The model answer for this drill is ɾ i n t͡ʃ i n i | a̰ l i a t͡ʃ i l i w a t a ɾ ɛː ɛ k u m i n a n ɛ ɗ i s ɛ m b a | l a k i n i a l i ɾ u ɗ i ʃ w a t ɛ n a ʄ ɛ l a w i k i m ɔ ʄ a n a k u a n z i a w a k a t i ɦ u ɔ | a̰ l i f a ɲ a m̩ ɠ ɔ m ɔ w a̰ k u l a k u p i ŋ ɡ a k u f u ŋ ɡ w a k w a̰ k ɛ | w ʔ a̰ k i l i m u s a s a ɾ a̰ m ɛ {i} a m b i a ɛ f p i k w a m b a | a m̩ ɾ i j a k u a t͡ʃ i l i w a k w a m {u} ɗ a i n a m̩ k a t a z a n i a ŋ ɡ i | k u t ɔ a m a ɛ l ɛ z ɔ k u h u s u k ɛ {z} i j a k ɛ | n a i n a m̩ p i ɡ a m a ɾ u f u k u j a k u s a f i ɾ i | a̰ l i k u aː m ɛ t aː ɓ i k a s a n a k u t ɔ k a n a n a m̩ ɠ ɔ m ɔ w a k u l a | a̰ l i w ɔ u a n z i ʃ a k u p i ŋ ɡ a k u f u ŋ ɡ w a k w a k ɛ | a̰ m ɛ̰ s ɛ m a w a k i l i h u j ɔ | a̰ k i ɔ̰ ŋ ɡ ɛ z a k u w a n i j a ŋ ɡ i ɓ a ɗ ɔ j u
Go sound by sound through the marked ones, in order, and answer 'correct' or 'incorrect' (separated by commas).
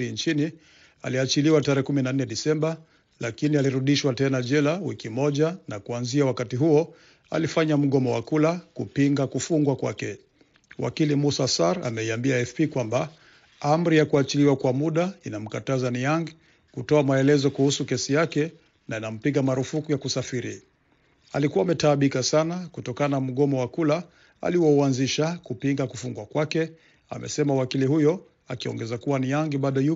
correct, correct, incorrect